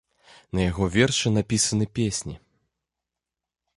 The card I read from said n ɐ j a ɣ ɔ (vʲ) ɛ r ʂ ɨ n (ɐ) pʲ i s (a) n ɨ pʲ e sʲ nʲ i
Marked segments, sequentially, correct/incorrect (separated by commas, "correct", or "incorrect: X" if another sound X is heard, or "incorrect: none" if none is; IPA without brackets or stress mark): correct, incorrect: a, incorrect: ɐ